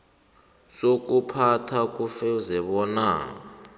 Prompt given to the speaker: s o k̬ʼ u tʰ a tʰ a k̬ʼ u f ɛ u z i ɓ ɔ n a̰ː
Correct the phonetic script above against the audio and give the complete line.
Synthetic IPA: s o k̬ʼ u pʰ a tʰ a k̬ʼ u f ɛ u z ɛ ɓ ɔ n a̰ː